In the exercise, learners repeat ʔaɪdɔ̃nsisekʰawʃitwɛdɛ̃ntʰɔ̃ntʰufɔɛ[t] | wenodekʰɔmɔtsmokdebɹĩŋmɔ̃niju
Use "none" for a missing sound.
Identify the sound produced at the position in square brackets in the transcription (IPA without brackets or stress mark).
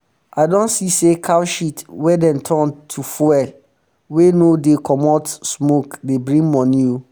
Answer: none